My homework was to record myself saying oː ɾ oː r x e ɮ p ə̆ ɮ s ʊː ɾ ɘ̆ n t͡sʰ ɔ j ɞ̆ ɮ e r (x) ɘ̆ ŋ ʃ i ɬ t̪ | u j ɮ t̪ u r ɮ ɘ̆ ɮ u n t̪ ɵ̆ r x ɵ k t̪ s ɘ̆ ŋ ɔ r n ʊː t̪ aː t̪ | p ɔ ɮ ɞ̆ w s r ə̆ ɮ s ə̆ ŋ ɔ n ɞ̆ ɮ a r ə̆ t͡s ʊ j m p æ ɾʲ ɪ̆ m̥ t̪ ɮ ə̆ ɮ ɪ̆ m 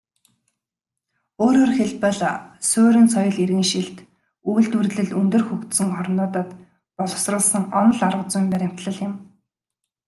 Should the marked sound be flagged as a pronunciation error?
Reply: yes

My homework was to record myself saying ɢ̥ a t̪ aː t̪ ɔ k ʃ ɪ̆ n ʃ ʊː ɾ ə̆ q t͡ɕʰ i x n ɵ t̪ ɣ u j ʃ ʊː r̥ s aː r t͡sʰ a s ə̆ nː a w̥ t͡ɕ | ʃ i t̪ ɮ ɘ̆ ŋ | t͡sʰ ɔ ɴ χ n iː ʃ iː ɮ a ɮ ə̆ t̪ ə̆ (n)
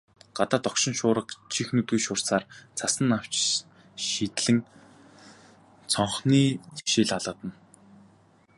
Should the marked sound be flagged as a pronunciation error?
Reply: no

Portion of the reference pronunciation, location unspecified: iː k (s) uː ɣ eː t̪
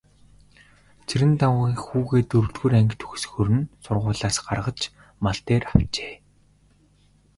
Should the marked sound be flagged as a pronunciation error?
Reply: yes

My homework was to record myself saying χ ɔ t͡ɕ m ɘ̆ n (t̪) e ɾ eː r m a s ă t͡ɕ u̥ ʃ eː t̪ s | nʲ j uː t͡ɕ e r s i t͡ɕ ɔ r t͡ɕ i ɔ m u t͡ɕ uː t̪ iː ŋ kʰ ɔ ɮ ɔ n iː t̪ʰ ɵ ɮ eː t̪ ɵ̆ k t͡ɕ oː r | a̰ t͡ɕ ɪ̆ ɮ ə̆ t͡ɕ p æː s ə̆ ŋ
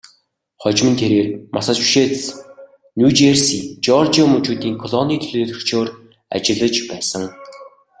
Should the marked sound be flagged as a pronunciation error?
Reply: yes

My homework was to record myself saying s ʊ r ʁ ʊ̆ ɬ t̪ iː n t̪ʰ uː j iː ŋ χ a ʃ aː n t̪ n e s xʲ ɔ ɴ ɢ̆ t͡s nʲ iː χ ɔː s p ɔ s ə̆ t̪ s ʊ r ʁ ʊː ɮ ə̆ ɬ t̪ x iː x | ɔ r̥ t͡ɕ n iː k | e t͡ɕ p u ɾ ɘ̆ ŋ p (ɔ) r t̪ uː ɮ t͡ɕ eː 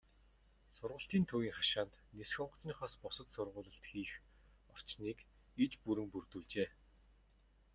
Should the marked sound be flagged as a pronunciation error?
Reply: yes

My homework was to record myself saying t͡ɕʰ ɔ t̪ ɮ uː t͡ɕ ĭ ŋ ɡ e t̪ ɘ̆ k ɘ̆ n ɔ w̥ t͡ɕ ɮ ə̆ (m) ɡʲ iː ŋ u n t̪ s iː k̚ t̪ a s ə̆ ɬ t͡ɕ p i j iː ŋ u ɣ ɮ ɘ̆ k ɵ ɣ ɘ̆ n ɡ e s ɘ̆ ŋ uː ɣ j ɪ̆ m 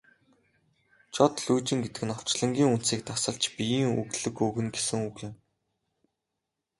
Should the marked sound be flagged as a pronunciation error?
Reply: yes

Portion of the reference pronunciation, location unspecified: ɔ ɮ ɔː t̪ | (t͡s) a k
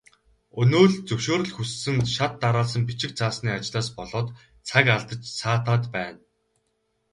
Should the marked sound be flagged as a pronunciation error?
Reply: yes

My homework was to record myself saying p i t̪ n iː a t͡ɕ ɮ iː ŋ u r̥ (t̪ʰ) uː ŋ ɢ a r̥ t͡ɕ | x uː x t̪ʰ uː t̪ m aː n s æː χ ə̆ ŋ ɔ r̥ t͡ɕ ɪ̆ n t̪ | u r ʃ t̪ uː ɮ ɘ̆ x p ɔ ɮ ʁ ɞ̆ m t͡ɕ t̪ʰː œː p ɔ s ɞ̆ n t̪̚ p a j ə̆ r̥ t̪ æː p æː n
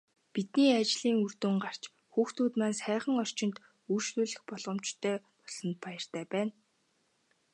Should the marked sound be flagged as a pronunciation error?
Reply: yes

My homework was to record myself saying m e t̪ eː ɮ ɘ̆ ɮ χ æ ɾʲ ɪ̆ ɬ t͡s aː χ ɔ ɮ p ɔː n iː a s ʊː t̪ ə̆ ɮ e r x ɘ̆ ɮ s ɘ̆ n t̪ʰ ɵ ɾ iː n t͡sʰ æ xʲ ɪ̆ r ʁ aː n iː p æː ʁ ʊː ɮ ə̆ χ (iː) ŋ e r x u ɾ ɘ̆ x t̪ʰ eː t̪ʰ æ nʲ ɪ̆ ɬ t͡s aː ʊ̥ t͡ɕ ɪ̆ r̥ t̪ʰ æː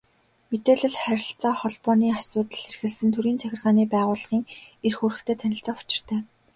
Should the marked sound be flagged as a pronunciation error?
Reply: no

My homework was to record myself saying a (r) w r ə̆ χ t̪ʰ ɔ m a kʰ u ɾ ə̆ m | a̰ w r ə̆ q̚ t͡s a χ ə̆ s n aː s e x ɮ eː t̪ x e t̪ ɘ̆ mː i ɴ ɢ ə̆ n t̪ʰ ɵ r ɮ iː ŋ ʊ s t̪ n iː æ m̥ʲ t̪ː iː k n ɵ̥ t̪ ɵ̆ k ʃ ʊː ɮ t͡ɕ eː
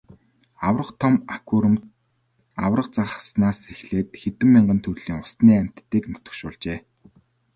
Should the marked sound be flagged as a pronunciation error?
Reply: yes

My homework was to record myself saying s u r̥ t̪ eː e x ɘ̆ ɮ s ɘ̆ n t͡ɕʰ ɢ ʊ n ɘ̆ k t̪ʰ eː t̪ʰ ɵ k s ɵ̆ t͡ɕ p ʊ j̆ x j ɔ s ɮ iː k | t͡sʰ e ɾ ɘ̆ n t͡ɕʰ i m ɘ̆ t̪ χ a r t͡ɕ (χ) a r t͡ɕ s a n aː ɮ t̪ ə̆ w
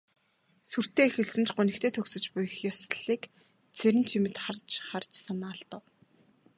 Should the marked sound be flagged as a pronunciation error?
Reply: no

